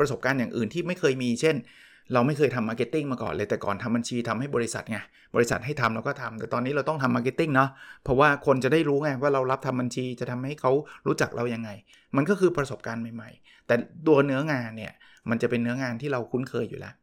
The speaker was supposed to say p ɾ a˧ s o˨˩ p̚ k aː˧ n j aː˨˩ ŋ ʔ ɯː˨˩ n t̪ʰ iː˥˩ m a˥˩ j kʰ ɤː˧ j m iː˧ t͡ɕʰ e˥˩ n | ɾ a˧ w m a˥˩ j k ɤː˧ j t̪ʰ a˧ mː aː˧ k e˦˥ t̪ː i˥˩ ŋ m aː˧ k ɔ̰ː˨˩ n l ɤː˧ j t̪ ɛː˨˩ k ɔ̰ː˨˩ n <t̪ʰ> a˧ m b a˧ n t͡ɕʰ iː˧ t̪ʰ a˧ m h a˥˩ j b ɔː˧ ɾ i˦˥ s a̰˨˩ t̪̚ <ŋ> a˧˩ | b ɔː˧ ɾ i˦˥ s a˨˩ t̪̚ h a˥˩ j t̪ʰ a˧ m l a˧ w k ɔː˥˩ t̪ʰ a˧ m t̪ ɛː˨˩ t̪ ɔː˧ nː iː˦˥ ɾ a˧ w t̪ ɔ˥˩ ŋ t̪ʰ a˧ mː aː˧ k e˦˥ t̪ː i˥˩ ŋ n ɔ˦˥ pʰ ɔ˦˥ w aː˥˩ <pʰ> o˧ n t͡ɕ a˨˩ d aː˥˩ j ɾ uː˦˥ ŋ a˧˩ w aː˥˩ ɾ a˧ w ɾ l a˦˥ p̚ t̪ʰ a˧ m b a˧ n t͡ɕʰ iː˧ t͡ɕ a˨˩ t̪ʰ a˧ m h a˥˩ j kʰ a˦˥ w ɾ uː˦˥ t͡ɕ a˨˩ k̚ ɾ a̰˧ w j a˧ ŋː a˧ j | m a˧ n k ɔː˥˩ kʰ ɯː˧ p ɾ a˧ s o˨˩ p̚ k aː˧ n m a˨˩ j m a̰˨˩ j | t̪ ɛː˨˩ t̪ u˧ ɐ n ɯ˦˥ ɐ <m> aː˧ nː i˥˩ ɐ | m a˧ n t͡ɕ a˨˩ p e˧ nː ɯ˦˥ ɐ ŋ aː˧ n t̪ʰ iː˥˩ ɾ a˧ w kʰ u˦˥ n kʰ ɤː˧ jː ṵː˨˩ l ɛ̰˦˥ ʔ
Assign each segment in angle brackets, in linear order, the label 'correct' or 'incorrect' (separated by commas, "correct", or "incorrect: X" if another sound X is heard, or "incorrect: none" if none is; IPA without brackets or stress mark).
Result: correct, correct, incorrect: kʰ, incorrect: ŋ